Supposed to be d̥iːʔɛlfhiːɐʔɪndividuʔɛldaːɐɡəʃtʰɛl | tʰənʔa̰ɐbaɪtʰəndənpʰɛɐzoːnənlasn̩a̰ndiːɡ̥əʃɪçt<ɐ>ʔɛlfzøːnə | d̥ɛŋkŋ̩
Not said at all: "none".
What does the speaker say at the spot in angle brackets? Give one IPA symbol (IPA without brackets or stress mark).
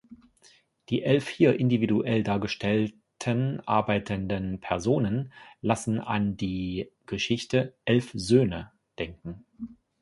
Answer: ə